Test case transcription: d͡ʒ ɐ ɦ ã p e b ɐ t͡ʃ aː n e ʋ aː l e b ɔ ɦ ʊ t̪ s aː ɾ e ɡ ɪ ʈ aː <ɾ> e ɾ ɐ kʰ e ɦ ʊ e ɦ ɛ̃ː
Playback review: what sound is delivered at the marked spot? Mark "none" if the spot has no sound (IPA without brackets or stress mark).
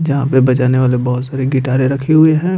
ɾ